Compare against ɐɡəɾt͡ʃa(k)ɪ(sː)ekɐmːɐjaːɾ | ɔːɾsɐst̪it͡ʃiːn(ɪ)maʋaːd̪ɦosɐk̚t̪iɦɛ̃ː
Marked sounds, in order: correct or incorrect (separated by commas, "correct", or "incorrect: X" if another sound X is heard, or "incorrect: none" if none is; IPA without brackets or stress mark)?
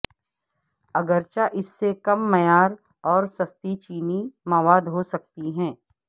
incorrect: ʔ, correct, incorrect: i